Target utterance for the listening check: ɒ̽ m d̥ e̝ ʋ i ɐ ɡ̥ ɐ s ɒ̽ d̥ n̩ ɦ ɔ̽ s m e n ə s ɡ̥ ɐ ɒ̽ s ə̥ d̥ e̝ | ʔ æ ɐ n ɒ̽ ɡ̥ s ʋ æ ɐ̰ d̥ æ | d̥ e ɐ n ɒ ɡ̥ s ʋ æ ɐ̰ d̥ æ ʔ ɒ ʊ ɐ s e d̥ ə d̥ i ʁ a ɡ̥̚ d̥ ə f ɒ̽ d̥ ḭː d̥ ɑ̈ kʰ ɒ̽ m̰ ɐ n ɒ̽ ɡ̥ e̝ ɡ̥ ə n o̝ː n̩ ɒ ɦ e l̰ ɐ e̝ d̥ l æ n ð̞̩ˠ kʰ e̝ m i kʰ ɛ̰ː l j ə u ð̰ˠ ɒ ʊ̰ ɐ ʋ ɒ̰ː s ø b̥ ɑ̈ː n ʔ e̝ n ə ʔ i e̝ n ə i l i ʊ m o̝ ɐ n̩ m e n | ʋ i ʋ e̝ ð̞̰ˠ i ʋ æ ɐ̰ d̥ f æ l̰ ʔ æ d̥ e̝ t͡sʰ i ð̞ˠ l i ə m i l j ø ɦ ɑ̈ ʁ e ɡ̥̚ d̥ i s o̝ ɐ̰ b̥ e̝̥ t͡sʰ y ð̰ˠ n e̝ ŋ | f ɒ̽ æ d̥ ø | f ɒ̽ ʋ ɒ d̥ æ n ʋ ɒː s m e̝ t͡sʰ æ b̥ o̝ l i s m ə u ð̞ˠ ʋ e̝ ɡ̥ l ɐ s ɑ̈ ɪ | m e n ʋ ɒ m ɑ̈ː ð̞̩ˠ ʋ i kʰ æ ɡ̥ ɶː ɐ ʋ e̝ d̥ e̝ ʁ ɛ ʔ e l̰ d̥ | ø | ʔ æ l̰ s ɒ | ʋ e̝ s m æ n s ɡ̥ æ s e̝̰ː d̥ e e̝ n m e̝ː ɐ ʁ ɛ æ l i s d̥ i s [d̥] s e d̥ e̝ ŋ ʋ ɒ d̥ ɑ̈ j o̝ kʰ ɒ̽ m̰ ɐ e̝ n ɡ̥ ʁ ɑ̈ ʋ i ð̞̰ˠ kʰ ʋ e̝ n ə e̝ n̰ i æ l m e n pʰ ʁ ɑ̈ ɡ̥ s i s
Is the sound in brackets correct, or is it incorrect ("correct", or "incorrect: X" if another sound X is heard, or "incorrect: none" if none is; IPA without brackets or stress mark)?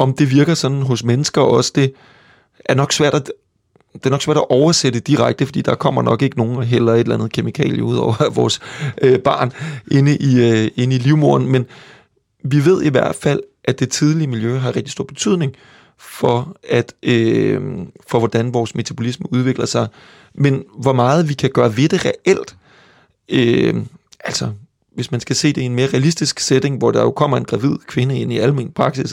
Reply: incorrect: ɡ̥